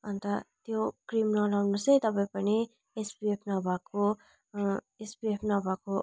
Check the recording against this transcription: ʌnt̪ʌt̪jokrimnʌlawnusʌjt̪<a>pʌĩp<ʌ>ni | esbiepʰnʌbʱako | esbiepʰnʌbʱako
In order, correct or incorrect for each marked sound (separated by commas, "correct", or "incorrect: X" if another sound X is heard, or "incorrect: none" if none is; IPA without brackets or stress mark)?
incorrect: ʌ, correct